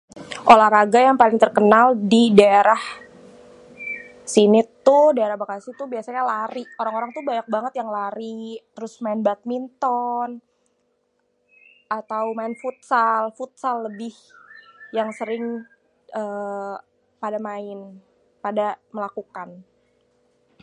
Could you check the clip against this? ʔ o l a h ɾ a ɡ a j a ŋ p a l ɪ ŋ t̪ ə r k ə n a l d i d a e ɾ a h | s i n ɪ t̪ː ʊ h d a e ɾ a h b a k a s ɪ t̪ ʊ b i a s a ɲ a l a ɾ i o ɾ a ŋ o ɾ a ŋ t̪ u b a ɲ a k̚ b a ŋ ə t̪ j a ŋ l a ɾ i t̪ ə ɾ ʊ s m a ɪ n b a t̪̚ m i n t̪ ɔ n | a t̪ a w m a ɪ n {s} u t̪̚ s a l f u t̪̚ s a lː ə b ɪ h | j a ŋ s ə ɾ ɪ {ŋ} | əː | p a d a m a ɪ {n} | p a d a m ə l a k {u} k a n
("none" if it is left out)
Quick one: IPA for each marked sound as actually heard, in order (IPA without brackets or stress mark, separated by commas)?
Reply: f, ŋ, n, u